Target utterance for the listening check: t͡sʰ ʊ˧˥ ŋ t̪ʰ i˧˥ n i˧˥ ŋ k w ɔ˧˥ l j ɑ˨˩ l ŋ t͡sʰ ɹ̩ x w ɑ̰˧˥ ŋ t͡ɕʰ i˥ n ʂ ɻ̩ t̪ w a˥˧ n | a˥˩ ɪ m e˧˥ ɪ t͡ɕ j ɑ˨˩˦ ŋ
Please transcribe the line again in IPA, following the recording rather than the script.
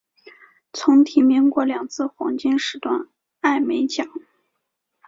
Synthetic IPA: t͡sʰ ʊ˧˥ ŋ t̪ʰ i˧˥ m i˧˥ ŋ k w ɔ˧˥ l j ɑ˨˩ ŋ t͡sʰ ɹ̩ x w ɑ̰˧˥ ŋ t͡ɕ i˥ n ʂ ɻ̩ t̪ w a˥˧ n | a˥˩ ɪ m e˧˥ ɪ t͡ɕ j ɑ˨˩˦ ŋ